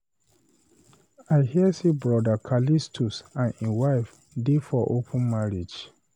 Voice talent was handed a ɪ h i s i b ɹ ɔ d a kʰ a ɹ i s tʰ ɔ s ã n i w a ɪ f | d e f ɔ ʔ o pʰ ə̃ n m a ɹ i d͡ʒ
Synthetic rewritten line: a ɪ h i s i b ɹ ɔ d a kʰ a l i s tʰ u s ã n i w a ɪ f | d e f ɔ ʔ o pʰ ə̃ n m a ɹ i d͡ʒ